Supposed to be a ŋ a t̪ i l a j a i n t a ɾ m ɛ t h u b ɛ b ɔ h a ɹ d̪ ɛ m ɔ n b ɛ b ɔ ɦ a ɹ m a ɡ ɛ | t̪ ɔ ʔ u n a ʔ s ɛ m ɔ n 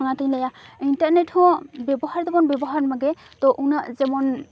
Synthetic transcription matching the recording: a ŋ a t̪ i l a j a i n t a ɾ n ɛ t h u b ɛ b ɔ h a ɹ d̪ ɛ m ɔ n b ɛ b ɔ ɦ a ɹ m a ɡ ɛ | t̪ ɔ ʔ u n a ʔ z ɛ m ɔ n

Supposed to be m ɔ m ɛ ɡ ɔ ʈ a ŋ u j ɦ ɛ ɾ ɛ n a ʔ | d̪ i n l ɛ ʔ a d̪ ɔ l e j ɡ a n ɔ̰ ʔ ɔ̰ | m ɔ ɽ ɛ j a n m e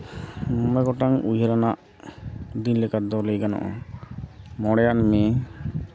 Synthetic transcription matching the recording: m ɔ m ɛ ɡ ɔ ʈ a ŋ u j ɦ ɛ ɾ a n a ʔ | d̪ i n l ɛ k a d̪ ɔ l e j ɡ a n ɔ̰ ʔ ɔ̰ | m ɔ ɽ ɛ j a n m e

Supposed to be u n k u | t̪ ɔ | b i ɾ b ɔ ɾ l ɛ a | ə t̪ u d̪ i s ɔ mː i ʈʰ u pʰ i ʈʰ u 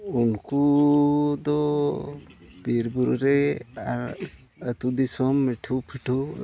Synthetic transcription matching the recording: u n k u | d̪ ɔ | b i ɾ b u ɾ ɾ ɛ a | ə t̪ u d̪ i s ɔ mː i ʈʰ u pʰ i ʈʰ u

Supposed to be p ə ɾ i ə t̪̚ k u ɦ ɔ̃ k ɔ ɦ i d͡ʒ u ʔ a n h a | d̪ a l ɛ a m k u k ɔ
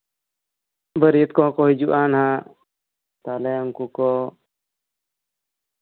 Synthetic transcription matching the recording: b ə ɾ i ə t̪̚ k ɔ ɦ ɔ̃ k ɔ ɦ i d͡ʒ u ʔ a n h a | t̪ a l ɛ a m k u k ɔ

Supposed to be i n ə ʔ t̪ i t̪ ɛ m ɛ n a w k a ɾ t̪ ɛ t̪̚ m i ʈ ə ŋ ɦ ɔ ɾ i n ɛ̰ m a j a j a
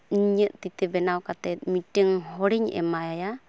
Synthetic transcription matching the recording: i ɲ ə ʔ t̪ i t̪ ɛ b ɛ n a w k a t̪ ɛ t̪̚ m i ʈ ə ŋ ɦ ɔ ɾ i ɲ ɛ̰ m a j a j a

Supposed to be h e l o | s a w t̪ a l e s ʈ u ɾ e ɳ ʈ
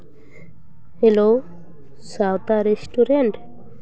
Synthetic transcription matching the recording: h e l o | s a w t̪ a ɾ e s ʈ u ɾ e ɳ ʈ

